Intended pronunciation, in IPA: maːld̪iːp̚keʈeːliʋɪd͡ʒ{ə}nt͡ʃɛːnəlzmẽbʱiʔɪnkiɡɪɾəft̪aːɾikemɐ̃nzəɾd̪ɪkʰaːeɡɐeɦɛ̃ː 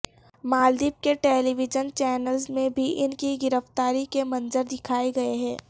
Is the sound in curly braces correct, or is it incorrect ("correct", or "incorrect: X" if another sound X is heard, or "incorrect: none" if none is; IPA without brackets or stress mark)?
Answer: correct